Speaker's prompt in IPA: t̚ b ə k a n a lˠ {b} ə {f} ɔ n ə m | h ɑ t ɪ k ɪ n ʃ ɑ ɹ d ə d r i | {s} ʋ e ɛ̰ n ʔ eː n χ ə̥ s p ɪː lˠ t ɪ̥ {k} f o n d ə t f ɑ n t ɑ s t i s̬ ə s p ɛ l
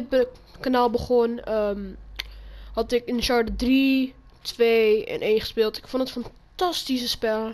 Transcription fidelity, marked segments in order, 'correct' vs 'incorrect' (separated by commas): correct, incorrect, incorrect, correct